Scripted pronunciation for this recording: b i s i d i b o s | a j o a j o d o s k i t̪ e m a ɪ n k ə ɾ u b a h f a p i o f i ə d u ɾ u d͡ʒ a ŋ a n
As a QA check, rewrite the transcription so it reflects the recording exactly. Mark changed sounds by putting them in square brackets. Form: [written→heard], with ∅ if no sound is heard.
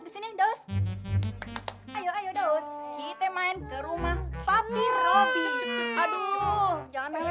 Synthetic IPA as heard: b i s i [d→n] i [b→d] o s | a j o a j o d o s k i t̪ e m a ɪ n k ə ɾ u [b→m] a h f a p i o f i [ə→a] d u [ɾ→l] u d͡ʒ a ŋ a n

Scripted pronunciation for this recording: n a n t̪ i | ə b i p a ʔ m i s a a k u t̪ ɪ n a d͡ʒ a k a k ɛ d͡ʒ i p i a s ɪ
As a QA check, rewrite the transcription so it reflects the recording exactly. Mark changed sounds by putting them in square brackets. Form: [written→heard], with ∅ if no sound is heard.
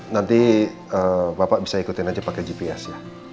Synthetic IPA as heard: n a n t̪ i | ə b [i→a] p a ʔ [m→b] i s a [a→i] k u t̪ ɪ n a d͡ʒ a [k→p] a k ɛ d͡ʒ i p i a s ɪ

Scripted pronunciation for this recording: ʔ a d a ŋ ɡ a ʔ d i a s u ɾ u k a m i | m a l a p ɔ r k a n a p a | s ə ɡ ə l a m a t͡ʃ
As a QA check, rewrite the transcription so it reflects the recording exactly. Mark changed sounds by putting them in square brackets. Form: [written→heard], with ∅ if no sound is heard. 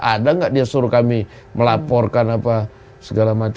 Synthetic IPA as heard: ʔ a d a ŋ ɡ a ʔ d i a s u ɾ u k a m i | m [a→ə] l a p ɔ r k a n a p a | s ə ɡ [ə→a] l a m a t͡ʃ

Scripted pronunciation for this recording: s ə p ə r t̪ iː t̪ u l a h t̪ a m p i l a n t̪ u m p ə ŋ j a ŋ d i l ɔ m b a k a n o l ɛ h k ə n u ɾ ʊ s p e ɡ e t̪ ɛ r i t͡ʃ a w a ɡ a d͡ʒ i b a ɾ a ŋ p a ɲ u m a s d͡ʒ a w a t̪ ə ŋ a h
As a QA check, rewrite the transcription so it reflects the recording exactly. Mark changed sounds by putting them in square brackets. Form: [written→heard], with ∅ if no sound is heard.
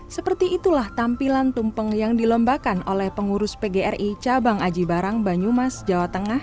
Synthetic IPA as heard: s ə p ə r t̪ iː t̪ u l a h t̪ a m p i l a n t̪ u m p ə ŋ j a ŋ d i l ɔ m b a k a n o l ɛ h [k→p] ə [n→ŋ] u ɾ ʊ s p e ɡ e [t̪→∅] ɛ r i t͡ʃ a [w→b] a [ɡ→ŋ] a d͡ʒ i b a ɾ a ŋ [p→b] a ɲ u m a s d͡ʒ a w a t̪ ə ŋ a h

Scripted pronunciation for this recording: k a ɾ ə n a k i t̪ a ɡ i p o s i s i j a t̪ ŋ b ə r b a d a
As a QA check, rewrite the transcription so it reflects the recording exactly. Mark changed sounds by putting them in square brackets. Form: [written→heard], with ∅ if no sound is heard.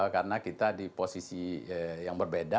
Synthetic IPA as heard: k a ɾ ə n a k i t̪ a [ɡ→d] i p o s i s i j a [t̪→∅] ŋ b ə r b [a→e] d a

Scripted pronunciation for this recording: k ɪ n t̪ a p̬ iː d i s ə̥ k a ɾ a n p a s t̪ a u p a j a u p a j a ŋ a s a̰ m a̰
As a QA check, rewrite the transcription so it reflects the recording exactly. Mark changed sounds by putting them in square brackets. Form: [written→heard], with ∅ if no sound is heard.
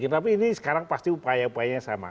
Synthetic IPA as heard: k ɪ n t̪ a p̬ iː [d→n] i s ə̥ k a ɾ a [n→ŋ] p a s t̪ [a→i] u p a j a u p a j a [ŋ→ɲ] a s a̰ m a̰

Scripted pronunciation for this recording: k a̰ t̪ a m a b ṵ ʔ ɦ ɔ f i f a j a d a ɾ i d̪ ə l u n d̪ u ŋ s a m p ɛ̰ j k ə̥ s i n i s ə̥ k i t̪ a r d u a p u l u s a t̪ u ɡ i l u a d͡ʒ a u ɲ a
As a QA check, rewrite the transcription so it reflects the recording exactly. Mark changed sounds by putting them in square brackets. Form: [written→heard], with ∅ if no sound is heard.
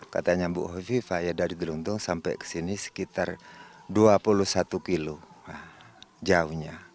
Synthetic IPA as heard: k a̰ t̪ a [m→ɲ] a b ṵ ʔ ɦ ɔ f i f a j a d a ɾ i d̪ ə l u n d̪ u ŋ s a m p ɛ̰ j k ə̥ s i n i s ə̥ k i t̪ a r d u a p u l u s a t̪ u [ɡ→k] i l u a d͡ʒ a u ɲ a

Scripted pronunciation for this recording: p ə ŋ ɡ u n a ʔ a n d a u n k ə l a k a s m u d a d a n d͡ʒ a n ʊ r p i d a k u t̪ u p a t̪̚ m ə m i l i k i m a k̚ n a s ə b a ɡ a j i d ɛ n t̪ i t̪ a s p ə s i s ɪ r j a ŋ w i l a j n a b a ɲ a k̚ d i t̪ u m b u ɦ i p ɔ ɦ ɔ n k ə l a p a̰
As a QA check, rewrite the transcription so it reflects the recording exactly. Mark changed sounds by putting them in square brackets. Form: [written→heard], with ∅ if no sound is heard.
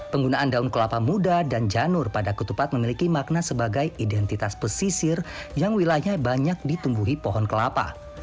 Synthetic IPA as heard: p ə ŋ ɡ u n a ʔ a n d a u n k ə l a [k→p] a [s→∅] m u d a d a n d͡ʒ a n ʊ r p [i→a] d a k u t̪ u p a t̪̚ m ə m i l i k i m a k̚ n a s ə b a ɡ a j i d ɛ n t̪ i t̪ a s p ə s i s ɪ r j a ŋ w i l a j [n→ɲ] a b a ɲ a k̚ d i t̪ u m b u ɦ i p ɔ ɦ ɔ n k ə l a p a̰

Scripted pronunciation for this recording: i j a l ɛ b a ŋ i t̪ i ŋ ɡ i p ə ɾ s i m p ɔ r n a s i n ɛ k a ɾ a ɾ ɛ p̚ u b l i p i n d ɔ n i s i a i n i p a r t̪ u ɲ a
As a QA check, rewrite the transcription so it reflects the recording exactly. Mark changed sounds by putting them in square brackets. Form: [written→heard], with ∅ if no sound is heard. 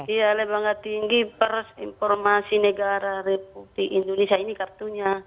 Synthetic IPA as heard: i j a l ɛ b a ŋ [i→a] t̪ i ŋ ɡ i p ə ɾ s i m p ɔ r [n→m] a s i n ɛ [k→ɡ] a ɾ a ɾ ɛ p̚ u b l i [p→k] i n d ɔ n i s i a i n i [p→k] a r t̪ u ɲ a

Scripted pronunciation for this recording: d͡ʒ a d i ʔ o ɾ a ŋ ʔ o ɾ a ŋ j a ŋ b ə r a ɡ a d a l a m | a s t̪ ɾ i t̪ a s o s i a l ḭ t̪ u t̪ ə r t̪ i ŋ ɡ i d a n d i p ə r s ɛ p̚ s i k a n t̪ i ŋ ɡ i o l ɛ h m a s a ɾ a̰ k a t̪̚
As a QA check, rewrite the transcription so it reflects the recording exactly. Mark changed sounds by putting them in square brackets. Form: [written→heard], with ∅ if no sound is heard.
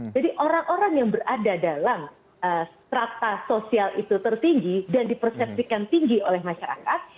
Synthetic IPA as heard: d͡ʒ a d i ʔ o ɾ a ŋ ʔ o ɾ a ŋ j a ŋ b ə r a [ɡ→d] a d a l a m | [a→ə] s t̪ ɾ [i→a] t̪ a s o s i a l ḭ t̪ u t̪ ə r t̪ i ŋ ɡ i d a n d i p ə r s ɛ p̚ s i k a n t̪ i ŋ ɡ i o l ɛ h m a [s→ʃ] a ɾ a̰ k a t̪̚

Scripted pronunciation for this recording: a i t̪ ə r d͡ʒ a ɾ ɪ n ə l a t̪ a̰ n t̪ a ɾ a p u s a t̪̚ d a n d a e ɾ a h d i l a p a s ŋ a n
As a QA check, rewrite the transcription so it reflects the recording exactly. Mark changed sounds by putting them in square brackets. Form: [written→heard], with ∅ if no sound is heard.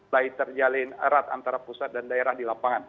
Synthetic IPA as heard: a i t̪ ə r d͡ʒ a [ɾ→l] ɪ n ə [l→ɾ] a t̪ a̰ n t̪ a ɾ a p u s a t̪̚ d a n d a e ɾ a h d i l a p a [s→∅] ŋ a n

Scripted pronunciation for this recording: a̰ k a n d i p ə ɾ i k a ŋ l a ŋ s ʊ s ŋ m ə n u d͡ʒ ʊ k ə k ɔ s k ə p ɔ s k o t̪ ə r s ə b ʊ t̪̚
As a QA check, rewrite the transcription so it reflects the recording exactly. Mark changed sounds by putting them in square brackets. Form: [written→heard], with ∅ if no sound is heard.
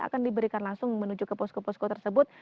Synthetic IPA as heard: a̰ k a n d i [p→b] ə ɾ i k a [ŋ→n] l a ŋ s ʊ [s→∅] ŋ m ə n u d͡ʒ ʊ k ə [k→p] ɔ s k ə p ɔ s k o t̪ ə r s ə b ʊ t̪̚

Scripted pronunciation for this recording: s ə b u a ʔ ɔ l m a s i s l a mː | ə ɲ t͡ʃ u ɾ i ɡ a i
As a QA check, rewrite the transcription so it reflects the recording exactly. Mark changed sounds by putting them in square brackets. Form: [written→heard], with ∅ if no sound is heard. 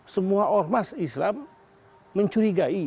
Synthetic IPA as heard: s ə [b→m] u a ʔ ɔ [l→r] m a s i s l a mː | ə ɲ t͡ʃ u ɾ i ɡ a i

